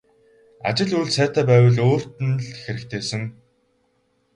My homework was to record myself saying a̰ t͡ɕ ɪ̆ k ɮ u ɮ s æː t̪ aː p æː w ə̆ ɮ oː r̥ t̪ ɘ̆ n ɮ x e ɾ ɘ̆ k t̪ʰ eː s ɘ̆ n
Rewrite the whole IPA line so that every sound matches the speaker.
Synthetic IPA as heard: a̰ t͡ɕ ɪ̆ ɮ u ɮ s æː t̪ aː p æː w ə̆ ɮ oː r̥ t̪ ɘ̆ n ɮ x e ɾ ɘ̆ k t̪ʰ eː s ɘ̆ ŋ